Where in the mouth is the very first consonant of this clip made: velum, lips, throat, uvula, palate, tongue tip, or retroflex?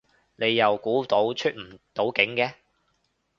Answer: tongue tip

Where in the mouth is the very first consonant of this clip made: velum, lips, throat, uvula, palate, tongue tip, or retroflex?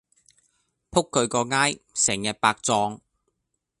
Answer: lips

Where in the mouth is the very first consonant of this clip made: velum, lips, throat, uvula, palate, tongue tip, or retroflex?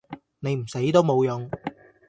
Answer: tongue tip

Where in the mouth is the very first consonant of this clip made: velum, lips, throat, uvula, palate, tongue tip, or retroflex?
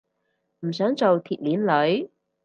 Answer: lips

